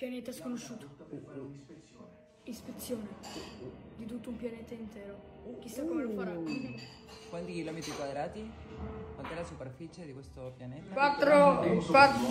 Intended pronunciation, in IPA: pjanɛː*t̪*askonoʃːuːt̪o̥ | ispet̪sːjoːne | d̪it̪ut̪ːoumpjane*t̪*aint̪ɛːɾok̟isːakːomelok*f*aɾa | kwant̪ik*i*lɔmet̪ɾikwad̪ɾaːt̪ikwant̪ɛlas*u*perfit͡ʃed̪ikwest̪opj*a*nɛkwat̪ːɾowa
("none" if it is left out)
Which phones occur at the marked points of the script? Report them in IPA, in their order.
t̪, t̪, f, i, u, a

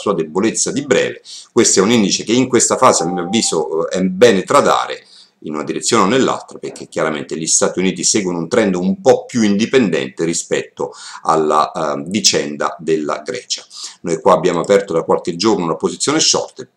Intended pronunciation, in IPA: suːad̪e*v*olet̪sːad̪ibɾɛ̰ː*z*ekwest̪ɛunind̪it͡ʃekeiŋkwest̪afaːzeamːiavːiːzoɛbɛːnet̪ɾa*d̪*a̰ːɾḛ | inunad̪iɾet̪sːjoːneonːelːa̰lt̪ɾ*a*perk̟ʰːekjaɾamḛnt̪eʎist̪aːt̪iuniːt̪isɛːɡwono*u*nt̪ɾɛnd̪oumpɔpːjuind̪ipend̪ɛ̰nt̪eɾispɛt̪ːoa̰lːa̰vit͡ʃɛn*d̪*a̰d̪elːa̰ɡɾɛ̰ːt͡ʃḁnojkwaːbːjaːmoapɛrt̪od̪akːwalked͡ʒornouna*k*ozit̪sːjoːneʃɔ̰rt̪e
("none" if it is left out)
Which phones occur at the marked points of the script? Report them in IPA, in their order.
b, v, d̪, a, u, d̪, p

